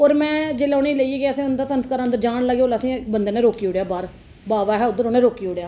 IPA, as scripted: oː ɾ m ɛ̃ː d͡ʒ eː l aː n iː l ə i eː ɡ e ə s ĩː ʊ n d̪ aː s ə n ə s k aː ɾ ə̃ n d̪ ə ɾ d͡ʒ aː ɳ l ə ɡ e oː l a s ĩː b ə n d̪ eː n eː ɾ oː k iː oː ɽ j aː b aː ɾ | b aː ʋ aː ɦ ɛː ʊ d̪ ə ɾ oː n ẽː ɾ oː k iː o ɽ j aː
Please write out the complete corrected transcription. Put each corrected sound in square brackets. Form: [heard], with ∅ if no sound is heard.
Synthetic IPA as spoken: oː ɾ m ɛ̃ː d͡ʒ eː l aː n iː l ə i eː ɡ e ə s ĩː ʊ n d̪ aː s ə n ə s k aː ɾ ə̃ n d̪ ə ɾ d͡ʒ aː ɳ l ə ɡ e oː l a s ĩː b ə n d̪ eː n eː ɾ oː k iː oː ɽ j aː b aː ɾ | b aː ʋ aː ɦ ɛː ʊ d̪ ə ɾ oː n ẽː ɾ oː k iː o ɽ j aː